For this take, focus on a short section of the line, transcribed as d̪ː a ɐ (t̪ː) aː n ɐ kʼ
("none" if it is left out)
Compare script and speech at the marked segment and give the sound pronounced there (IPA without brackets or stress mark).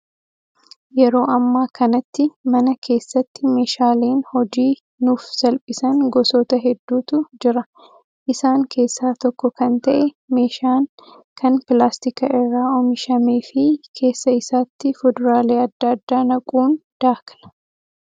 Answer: d̪ː